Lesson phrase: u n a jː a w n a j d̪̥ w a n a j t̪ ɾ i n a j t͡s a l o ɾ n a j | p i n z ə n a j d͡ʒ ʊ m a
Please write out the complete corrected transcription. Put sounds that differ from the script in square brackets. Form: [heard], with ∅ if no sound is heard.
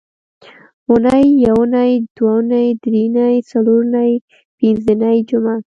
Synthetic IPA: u n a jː a w n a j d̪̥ w a n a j [d̪] ɾ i n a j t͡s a l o ɾ n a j | p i n z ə n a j d͡ʒ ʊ m a